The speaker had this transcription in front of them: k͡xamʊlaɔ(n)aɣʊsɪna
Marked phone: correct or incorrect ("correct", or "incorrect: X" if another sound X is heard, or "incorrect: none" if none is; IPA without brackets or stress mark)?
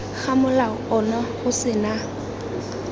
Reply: correct